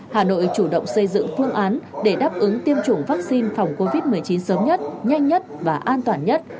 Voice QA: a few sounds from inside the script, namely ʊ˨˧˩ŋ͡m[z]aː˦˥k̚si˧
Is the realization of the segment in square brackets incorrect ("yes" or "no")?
yes